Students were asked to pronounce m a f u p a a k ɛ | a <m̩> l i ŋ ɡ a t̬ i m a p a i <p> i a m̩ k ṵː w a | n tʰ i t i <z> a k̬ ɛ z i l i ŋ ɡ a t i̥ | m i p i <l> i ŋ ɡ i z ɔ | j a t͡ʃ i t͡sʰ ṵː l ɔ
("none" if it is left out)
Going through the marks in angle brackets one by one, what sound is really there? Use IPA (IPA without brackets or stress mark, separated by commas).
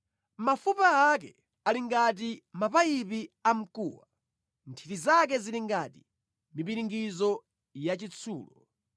none, p, z, ɾ